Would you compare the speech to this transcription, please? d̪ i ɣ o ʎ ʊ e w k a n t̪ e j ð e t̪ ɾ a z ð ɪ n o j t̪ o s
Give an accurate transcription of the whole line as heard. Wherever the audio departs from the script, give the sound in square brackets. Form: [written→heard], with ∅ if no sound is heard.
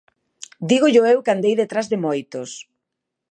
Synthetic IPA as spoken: d̪ i ɣ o ʎ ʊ e w k a n [t̪→d̪] e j ð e t̪ ɾ a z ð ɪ [n→m] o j t̪ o s